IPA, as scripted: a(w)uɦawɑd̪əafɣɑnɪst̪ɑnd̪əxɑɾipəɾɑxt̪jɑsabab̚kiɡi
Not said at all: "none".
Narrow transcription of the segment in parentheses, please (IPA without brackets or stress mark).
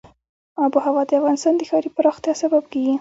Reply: b